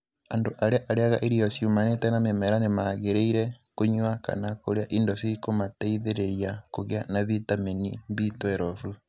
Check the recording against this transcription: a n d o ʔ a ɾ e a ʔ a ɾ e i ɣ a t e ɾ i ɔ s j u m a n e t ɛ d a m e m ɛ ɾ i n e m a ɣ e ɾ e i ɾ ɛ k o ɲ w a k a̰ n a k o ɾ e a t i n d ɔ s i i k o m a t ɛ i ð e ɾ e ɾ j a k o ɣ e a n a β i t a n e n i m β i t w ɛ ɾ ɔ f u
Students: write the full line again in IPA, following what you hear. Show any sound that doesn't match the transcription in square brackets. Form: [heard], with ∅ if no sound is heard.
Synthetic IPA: a n d o ʔ a ɾ e a ʔ a ɾ e [a] ɣ a [ʔ] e ɾ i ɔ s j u m a n e t ɛ [n] a m e m ɛ ɾ [a] n e m a ɣ e ɾ e i ɾ ɛ k o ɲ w a k a̰ n a k o ɾ e a [ʔ] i n d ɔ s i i k o m a t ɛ i ð e ɾ e ɾ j a k o ɣ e a n a β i t a [m] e n i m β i t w ɛ ɾ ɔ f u